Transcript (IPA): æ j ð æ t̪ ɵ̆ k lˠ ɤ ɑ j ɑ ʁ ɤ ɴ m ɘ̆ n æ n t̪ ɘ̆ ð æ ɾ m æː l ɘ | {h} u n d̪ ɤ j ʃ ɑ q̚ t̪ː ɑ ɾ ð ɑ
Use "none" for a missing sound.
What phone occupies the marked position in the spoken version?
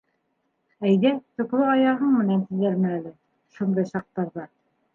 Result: ʃ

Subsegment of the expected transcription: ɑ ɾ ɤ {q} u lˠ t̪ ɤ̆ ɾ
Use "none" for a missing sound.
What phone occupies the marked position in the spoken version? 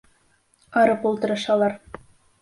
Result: p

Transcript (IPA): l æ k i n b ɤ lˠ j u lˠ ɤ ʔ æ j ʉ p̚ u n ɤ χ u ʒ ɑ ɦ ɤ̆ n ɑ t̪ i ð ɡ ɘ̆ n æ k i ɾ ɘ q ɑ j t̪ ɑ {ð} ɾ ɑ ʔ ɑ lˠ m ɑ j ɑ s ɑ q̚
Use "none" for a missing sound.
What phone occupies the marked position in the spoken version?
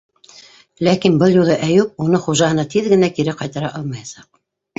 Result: none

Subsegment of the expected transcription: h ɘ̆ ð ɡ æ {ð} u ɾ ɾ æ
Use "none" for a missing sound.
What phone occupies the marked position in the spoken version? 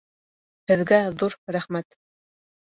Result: ð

